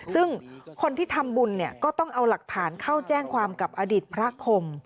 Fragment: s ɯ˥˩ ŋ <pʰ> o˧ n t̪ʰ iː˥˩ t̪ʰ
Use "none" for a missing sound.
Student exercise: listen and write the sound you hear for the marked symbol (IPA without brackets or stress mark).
kʰ